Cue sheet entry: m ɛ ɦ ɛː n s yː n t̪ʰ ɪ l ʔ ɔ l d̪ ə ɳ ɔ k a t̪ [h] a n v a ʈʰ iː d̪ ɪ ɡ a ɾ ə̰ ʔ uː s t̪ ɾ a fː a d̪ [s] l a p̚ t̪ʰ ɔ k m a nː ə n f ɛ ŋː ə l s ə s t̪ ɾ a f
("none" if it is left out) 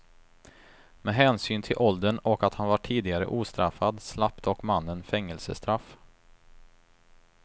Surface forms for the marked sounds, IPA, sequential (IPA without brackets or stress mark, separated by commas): h, s